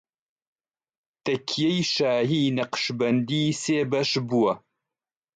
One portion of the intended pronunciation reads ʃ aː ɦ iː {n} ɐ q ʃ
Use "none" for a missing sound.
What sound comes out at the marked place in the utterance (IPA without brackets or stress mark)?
n